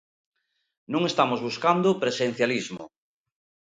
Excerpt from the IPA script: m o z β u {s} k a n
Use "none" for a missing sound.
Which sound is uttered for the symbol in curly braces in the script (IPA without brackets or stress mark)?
s